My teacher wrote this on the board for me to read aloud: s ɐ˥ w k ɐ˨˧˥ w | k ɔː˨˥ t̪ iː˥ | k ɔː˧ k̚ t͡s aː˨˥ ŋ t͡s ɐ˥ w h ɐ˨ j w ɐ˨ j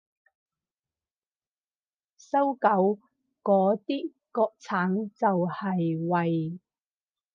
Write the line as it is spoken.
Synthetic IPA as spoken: s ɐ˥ w k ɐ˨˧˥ w | k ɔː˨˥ t̪ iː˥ | k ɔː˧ k̚ t͡sʰ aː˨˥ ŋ t͡s ɐ˨ w h ɐ˨ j w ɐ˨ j